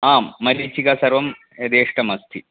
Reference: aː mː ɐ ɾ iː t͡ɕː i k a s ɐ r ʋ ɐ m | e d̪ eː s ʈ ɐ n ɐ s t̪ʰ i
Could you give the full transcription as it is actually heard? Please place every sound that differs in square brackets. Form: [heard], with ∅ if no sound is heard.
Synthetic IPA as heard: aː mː ɐ ɾ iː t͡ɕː i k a s ɐ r ʋ ɐ m | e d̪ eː [ʂ] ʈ ɐ [m] ɐ s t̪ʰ i